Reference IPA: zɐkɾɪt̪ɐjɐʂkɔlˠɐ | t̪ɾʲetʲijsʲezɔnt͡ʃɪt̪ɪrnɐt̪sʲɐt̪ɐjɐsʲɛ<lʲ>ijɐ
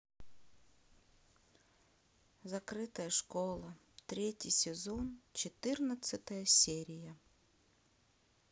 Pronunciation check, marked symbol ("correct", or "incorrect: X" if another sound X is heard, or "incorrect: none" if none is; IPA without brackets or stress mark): incorrect: ɾʲ